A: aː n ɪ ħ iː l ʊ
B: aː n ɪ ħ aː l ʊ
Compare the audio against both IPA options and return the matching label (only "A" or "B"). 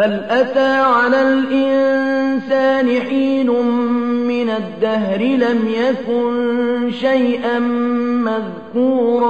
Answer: A